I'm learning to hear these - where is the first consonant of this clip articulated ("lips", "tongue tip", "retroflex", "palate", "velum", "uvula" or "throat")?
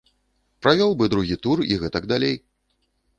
lips